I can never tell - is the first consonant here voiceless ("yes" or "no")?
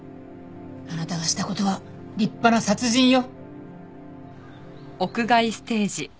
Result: no